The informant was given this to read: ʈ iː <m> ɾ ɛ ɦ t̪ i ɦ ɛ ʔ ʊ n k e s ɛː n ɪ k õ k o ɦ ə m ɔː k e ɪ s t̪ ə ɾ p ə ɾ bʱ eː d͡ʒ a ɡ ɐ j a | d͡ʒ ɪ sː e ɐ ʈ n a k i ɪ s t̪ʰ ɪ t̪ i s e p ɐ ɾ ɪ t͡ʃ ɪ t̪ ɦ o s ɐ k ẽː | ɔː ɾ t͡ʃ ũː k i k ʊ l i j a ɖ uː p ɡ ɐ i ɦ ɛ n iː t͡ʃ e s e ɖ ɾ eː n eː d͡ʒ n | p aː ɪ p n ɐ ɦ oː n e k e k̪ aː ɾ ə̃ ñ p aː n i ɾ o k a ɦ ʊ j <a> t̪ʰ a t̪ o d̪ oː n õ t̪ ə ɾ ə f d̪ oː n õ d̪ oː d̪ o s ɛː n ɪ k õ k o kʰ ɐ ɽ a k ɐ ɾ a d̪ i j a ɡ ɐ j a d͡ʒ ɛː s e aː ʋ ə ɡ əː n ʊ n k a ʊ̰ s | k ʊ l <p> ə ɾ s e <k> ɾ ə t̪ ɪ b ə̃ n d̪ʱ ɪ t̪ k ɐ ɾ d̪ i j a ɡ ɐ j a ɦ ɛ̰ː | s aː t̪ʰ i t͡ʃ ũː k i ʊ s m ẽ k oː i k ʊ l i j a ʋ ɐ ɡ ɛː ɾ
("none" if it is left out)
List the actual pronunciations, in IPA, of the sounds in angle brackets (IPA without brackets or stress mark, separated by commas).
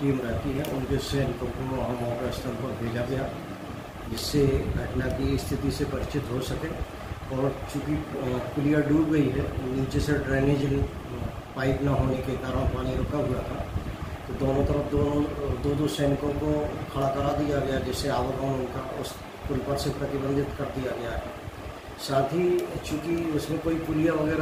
m, a, p, p